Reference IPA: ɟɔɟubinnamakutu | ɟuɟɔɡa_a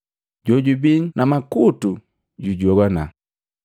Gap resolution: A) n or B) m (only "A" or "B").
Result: A